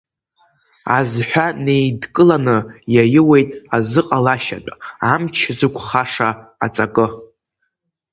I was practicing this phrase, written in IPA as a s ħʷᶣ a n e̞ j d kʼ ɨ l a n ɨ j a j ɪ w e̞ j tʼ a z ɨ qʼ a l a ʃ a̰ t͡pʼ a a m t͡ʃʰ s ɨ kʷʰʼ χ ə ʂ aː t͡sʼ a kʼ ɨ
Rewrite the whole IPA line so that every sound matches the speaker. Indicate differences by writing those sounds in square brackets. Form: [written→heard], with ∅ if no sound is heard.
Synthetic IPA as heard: a [s→z] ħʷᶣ a n e̞ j d kʼ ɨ l a n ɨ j a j ɪ w e̞ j tʼ a z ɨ qʼ a l a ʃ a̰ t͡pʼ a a m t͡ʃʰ [s→z] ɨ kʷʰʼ χ [ə→a] ʂ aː t͡sʼ a kʼ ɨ